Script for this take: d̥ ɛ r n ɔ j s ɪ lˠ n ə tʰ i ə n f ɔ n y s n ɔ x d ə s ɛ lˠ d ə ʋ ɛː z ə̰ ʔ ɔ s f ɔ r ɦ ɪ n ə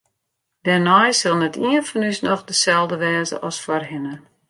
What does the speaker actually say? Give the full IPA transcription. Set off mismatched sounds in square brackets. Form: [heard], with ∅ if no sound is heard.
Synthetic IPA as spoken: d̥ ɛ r n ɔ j s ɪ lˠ n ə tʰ i ə n f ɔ n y s n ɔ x d ə s ɛ lˠ d ə ʋ ɛː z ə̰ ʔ ɔ s f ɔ r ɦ ɪ n ə